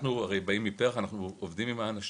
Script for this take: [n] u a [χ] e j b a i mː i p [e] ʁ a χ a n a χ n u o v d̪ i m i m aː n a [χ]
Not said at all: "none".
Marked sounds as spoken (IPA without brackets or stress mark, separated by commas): n, ʁ, e, ʃ